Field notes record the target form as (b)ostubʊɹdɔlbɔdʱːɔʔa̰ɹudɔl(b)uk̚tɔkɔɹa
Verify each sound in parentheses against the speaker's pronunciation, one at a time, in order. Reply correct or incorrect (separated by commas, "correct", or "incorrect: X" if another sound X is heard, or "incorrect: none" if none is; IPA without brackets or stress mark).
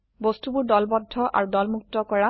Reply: correct, incorrect: m